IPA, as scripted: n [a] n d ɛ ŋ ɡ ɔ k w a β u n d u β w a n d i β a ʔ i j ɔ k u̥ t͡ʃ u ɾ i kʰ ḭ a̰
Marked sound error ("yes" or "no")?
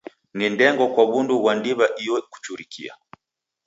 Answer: yes